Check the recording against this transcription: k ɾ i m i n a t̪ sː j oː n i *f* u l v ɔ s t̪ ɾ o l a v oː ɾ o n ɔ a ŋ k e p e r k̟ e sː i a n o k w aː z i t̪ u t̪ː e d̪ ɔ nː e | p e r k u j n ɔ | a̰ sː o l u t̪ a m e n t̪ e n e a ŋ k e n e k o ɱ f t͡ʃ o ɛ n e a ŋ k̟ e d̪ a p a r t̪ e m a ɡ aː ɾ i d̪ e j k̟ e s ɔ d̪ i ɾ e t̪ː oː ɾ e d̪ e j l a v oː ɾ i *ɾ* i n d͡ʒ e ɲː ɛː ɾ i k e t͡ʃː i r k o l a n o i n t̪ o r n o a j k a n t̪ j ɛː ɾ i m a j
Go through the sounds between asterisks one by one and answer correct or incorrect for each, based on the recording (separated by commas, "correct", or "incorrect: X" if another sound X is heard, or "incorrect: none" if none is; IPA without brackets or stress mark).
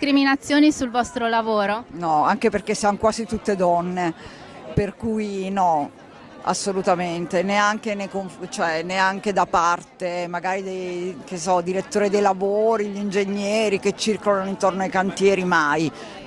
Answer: incorrect: s, incorrect: ʎ